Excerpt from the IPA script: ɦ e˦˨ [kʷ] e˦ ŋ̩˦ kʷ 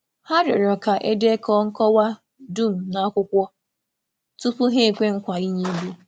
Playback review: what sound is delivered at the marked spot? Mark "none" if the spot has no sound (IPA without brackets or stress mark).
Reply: kʷ